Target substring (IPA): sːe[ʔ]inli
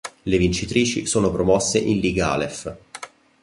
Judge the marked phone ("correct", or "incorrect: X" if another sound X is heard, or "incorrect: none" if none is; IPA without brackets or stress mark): correct